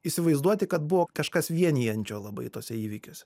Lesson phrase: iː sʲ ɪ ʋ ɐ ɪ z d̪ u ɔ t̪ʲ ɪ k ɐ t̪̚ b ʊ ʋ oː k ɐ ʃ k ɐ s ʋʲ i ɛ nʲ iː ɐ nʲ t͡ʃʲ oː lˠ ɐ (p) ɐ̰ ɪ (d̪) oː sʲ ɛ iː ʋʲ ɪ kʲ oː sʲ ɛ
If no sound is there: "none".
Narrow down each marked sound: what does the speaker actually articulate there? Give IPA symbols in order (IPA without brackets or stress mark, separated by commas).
b, t̪